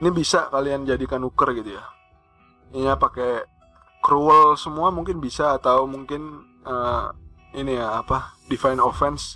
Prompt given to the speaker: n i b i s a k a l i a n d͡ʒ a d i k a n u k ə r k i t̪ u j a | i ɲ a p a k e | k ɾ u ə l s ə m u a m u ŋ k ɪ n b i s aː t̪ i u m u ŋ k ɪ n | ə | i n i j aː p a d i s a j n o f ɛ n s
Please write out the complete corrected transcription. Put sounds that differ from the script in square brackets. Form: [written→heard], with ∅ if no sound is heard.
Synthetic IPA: n i b i s a k a l i a n d͡ʒ a d i k a n u k ə r [k→ɡ] i t̪ u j a | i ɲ a p a k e | k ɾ u ə l s ə m u a m u ŋ k ɪ n b i s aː t̪ [i→a] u m u ŋ k ɪ n | ə | i n i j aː p a d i [s→f] a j n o f ɛ n s